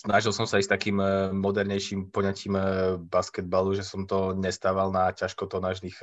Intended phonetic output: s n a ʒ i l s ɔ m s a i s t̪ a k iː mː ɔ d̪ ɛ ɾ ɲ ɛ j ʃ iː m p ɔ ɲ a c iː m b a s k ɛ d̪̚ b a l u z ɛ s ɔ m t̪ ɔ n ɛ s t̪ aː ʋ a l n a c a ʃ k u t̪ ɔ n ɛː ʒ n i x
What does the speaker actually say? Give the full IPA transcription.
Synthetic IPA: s n a ʒ i l s ɔ m s a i s t̪ a k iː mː ɔ d̪ ɛ ɾ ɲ ɛ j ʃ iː m p ɔ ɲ a c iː m b a s k ɛ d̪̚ b a l u ʒ ɛ s ɔ m t̪ ɔ ɲ ɛ s t̪ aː ʋ a l n a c a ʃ k ɔ t̪ ɔ n aː ʒ n i x